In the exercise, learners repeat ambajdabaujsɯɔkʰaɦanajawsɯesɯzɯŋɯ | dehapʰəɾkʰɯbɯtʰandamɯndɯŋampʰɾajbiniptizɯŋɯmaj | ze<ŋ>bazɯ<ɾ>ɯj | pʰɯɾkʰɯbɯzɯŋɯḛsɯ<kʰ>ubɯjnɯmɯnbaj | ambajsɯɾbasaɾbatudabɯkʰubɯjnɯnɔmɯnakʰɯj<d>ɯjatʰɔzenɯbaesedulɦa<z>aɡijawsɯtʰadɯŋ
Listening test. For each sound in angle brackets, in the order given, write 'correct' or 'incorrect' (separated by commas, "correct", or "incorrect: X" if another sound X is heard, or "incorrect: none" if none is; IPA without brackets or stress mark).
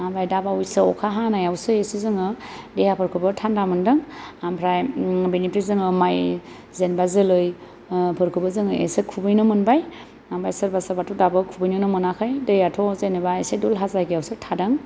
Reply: incorrect: n, incorrect: l, correct, correct, correct